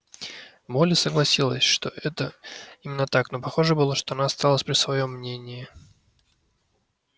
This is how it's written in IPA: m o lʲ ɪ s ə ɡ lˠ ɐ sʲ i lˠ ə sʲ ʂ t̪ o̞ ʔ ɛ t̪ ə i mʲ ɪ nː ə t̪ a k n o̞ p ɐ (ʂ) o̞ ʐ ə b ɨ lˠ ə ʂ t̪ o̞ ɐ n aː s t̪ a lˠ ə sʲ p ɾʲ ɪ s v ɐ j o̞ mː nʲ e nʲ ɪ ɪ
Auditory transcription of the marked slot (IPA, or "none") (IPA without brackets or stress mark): x